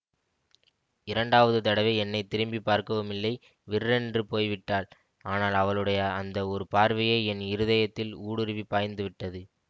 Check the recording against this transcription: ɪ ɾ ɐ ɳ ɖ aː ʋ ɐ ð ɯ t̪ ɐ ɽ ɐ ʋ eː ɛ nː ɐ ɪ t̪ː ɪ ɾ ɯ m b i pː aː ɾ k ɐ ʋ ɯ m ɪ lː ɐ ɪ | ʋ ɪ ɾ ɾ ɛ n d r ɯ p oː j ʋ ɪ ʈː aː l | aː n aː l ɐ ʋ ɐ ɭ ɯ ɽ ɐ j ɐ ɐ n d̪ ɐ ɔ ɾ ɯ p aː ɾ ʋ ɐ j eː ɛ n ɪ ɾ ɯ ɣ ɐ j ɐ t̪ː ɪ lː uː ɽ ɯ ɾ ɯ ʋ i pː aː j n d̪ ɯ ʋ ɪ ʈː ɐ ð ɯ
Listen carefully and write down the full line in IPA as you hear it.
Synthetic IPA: ɪ ɾ ɐ ɳ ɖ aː ʋ ɐ ð ɯ t̪ ɐ ɽ ɐ ʋ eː ɛ nː ɐ ɪ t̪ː ɪ ɾ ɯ m b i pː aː ɾ k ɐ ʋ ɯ m ɪ lː ɐ ɪ | ʋ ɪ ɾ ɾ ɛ n d r ɯ p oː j ʋ ɪ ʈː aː l | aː n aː l ɐ ʋ ɐ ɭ ɯ ɽ ɐ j ɐ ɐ n d̪ ɐ ɔ ɾ ɯ p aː ɾ ʋ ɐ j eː ɛ n ɪ ɾ ɯ ð ɐ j ɐ t̪ː ɪ l uː ɽ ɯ ɾ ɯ ʋ i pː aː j n d̪ ɯ ʋ ɪ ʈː ɐ ð ɯ